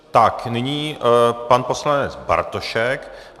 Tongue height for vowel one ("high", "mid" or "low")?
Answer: low